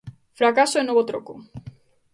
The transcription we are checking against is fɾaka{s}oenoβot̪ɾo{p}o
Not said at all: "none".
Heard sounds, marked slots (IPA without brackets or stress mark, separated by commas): s, k